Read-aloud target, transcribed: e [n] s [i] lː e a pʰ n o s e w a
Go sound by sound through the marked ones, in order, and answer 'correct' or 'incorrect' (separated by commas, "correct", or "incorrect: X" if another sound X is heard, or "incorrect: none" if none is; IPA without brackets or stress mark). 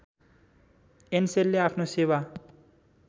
correct, incorrect: e